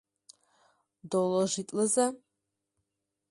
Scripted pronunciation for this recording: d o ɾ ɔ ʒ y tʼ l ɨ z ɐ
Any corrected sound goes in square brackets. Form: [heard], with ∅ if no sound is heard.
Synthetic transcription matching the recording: d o [l] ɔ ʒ [i] tʼ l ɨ z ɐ